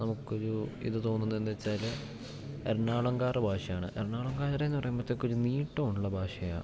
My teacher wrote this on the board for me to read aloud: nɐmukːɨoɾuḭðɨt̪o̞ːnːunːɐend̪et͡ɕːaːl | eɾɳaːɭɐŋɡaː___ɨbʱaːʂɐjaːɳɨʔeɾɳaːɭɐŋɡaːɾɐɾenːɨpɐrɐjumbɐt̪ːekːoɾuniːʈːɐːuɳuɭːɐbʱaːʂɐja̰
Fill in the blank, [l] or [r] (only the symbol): r